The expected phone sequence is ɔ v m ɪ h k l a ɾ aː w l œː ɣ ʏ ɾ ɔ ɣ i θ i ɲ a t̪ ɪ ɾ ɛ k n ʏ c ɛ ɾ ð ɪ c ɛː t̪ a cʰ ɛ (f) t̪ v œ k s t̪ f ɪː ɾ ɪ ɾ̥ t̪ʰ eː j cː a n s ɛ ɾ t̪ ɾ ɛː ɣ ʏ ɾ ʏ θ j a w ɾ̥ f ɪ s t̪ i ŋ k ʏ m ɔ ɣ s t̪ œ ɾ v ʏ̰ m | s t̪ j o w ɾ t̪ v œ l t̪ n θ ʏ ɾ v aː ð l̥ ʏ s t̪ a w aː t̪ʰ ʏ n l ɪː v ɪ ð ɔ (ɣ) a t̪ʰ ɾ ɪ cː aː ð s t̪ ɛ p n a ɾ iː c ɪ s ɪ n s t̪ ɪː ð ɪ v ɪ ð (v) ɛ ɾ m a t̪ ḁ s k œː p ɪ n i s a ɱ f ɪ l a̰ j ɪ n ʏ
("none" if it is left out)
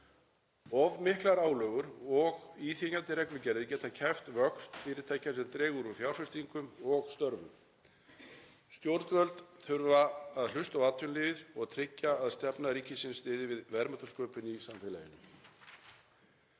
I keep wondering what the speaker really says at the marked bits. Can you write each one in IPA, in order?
f, ɣ, v

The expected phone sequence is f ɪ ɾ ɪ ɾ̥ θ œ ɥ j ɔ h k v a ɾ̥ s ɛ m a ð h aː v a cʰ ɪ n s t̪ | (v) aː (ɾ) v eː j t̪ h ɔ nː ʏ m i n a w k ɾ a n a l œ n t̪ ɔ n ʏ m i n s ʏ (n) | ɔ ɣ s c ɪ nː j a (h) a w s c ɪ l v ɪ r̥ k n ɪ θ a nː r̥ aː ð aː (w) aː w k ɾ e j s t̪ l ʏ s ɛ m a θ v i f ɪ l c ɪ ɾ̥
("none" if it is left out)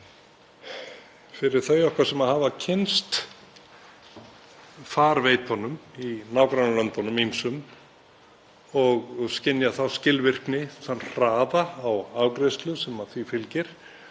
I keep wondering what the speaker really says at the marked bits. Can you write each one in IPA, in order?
f, ɾ, m, θ, w

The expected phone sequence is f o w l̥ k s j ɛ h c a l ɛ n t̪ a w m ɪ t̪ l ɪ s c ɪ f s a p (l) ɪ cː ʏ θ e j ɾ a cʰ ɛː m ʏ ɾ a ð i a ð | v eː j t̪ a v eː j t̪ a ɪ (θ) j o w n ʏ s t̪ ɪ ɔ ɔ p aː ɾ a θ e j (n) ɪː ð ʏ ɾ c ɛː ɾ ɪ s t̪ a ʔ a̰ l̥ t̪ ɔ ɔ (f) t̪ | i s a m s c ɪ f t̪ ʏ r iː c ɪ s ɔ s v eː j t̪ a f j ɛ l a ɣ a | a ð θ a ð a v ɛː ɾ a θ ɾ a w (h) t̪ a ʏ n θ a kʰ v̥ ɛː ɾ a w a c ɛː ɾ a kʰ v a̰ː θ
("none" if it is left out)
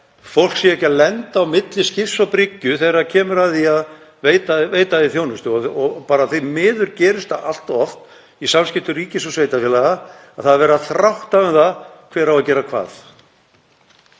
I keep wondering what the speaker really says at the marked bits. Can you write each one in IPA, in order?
ɾ, θ, m, f, h

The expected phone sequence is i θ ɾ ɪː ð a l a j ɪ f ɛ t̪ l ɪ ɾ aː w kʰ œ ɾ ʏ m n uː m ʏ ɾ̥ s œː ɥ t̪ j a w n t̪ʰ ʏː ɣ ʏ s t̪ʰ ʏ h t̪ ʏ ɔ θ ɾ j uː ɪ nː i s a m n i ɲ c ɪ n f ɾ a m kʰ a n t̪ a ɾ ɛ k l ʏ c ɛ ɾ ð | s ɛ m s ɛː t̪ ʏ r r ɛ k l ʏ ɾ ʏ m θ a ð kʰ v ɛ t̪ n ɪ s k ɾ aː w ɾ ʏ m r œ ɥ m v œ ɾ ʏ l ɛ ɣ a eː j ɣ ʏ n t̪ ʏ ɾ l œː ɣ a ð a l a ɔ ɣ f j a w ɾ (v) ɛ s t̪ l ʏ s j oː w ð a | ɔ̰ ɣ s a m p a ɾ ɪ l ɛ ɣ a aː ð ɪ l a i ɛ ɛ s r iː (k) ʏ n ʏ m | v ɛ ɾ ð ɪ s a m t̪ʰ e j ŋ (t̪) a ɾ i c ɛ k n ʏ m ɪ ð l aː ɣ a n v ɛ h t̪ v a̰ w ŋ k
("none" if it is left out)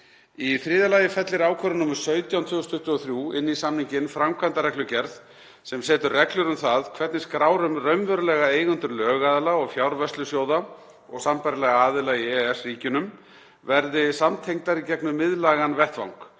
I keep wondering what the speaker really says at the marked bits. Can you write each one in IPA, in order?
v, c, t̪

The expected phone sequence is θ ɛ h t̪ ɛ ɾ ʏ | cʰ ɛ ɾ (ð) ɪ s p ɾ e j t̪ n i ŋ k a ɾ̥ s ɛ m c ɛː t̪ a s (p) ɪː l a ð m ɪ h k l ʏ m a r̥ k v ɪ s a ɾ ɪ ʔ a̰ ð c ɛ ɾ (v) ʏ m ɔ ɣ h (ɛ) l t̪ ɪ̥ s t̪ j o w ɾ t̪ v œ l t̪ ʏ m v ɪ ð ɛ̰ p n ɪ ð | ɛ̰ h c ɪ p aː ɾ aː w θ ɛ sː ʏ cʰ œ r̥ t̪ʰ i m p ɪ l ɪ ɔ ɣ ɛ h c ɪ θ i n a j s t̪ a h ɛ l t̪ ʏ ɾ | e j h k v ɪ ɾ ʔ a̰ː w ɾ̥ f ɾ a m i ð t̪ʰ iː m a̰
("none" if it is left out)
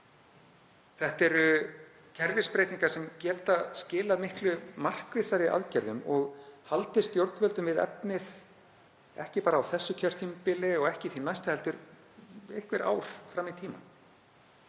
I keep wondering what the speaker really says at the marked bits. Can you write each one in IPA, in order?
v, c, ð, a

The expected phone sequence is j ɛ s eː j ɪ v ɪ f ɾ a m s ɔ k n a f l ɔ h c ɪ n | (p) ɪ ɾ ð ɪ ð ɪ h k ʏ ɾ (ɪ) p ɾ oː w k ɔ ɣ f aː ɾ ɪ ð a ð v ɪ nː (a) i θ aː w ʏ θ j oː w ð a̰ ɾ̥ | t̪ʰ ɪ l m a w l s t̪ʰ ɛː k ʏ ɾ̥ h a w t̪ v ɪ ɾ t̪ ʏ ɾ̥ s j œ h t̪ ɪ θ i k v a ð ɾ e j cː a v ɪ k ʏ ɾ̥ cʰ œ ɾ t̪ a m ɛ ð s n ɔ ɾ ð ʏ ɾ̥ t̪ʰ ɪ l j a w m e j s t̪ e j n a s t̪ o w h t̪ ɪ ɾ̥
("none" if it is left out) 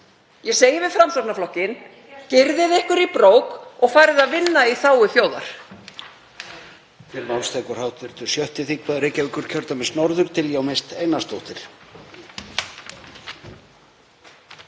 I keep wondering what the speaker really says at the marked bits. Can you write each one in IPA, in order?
c, i, a

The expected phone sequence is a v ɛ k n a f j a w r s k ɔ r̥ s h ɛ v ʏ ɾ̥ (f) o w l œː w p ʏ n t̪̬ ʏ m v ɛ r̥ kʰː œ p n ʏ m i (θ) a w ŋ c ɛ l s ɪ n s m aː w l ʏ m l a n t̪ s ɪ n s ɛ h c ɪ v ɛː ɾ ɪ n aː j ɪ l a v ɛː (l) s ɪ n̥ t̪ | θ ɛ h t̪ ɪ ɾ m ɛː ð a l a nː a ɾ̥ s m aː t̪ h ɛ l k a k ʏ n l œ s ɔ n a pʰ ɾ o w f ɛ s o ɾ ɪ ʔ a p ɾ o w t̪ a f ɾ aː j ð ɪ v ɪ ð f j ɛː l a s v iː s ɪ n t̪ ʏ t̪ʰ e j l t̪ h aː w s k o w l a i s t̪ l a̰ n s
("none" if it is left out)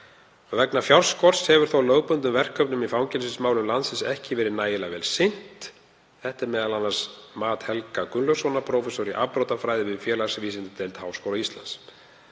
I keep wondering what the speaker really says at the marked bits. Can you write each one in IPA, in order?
θ, f, l

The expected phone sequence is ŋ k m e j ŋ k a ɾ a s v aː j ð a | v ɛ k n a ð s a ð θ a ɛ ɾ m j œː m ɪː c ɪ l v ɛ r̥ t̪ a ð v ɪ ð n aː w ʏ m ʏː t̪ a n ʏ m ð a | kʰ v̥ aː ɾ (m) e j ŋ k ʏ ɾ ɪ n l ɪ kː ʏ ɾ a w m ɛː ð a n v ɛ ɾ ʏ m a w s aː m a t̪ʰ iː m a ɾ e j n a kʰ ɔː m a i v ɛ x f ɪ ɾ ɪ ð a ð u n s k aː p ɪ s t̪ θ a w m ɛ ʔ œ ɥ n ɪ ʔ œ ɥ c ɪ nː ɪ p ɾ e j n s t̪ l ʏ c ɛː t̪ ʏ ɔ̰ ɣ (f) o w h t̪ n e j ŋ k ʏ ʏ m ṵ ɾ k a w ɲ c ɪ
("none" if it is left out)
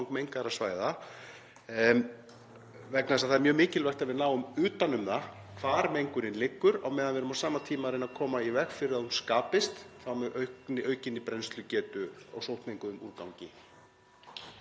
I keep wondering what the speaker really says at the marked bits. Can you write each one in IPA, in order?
m, s

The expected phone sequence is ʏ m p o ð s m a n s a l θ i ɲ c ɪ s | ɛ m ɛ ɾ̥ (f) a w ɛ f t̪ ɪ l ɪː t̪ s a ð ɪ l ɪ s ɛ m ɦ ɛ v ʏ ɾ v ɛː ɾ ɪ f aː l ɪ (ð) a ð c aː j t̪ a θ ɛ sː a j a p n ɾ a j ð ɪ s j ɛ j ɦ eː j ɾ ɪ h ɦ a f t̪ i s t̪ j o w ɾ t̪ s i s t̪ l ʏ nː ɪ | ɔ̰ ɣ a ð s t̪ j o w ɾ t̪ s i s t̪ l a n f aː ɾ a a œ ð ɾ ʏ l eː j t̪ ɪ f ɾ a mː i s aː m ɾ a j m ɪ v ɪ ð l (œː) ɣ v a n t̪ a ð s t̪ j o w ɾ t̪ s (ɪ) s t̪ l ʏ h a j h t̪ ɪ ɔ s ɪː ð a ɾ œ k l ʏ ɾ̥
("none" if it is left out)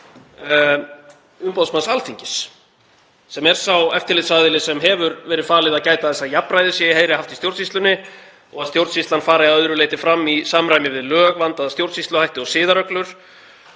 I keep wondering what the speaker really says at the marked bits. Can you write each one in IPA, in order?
s, ð, œː, i

